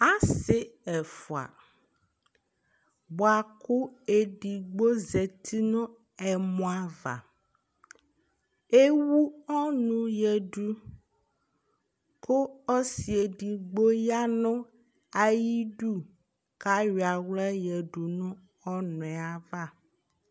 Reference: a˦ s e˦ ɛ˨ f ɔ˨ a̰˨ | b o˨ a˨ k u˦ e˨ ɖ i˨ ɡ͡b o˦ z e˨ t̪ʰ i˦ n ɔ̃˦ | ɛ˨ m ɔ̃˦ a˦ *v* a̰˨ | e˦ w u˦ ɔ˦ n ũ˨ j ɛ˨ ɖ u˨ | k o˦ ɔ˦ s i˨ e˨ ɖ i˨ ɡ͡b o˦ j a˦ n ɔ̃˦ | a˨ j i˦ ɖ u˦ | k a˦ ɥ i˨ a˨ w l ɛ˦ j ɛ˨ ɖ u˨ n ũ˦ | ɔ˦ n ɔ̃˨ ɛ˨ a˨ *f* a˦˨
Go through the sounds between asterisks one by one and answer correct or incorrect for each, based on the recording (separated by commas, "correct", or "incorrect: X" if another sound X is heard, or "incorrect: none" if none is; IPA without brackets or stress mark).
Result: correct, incorrect: v